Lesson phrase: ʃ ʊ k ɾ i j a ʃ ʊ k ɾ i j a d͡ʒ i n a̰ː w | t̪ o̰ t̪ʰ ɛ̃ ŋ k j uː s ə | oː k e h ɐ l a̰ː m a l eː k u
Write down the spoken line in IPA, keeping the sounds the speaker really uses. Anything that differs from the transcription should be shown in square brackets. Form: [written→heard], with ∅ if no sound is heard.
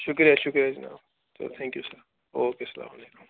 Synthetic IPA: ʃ ʊ k ɾ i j a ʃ ʊ k ɾ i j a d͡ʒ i n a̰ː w | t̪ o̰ t̪ʰ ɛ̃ ŋ k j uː s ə | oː k e [h→s] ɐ l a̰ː m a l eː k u